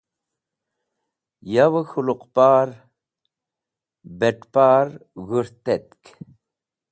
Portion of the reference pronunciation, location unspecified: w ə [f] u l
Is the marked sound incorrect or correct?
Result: incorrect